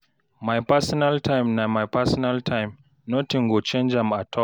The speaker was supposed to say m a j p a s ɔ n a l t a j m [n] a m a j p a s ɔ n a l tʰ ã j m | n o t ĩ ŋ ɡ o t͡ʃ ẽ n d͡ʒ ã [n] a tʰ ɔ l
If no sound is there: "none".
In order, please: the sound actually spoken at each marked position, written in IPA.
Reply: n, m

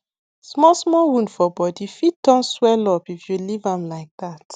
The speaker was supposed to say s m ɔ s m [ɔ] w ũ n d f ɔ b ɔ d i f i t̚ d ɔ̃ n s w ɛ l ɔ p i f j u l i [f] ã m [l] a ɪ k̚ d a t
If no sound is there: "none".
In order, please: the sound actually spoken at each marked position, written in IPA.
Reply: ɔ, v, l

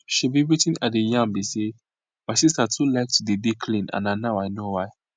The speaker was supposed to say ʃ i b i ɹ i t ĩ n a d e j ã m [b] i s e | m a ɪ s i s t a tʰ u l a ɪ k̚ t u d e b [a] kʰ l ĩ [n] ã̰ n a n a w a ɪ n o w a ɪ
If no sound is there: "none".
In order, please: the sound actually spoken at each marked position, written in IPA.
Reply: b, i, n

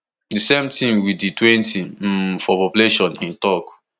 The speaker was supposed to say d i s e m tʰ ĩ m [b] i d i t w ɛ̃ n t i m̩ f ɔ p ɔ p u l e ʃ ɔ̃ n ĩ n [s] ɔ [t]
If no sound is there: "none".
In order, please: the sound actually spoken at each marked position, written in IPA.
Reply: w, t, k

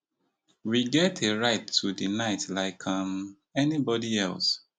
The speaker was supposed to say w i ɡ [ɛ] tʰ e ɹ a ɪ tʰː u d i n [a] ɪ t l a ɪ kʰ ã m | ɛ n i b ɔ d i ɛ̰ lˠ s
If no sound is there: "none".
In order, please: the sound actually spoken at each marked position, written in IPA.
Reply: ɛ, a

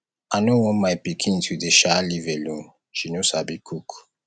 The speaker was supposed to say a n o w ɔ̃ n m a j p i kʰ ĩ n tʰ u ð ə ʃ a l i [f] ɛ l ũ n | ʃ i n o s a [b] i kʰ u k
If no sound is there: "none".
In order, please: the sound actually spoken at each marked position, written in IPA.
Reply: v, b

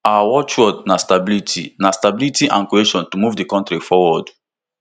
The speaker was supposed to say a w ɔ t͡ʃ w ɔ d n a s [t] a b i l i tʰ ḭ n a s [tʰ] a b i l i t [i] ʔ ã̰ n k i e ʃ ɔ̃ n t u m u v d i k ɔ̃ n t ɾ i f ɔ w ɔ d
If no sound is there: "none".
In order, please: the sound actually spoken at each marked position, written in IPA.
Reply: t, t, i

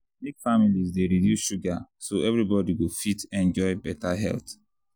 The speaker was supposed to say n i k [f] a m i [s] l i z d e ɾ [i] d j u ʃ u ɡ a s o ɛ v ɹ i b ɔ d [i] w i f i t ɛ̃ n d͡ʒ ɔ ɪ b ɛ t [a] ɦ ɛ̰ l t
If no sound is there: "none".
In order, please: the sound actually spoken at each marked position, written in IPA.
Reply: f, none, i, i, a

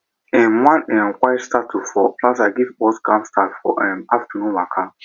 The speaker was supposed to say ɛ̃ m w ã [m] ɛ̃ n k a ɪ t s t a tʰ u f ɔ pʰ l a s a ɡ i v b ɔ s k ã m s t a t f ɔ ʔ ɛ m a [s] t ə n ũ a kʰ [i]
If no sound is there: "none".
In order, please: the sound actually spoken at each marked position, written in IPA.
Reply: n, f, a

